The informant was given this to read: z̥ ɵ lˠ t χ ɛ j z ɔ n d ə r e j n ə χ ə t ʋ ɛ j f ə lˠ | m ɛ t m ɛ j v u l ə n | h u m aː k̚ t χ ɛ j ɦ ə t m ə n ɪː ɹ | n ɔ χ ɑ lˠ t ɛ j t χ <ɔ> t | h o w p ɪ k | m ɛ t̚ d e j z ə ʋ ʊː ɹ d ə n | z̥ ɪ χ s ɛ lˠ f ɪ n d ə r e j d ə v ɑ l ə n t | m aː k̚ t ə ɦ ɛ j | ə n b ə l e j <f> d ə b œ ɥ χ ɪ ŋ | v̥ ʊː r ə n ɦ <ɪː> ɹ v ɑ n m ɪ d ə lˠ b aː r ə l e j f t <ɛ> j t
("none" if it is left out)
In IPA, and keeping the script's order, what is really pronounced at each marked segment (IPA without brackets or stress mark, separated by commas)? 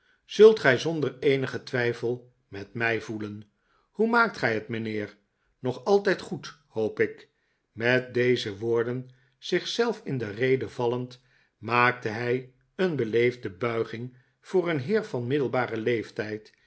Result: u, v, ɪː, ɛ